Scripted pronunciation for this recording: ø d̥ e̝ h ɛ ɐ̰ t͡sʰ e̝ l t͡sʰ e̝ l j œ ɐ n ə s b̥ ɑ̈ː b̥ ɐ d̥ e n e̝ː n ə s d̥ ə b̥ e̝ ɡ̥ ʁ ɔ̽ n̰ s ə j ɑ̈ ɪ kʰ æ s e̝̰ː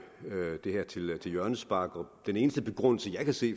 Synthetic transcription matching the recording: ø d̥ e̝ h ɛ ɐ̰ t͡sʰ e̝ l t͡sʰ e̝ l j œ ɐ n ə s b̥ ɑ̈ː ɡ̥ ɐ d̥ e n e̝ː n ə s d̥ ə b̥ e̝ ɡ̥ ʁ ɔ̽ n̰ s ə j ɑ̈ ɪ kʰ æ s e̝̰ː